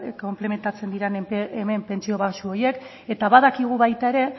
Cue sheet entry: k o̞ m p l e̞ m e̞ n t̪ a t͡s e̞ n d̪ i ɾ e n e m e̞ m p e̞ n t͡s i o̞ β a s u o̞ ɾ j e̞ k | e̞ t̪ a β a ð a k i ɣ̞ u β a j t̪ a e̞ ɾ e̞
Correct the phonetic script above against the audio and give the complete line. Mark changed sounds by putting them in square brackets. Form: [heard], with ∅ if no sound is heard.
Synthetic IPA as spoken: k o̞ m p l e̞ m e̞ n t̪ a t͡s e̞ n d̪ i ɾ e n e m e̞ m p e̞ n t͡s i o̞ β a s u o̞ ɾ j e̞ k | e̞ t̪ a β a ð a k i ɣ̞ u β a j t̪ a e̞ ɾ e̞